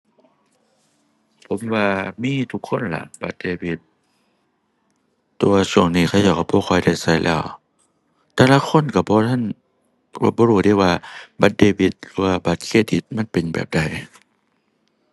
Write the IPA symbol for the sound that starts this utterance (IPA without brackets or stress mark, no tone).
pʰ